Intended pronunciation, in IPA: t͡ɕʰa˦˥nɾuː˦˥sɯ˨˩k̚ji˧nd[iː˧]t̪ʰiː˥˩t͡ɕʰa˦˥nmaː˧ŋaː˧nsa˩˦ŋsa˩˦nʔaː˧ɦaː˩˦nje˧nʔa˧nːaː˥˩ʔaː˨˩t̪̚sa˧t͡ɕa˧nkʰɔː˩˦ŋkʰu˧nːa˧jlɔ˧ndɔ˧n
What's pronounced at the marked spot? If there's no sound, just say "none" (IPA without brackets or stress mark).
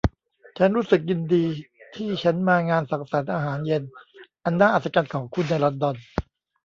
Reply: iː˧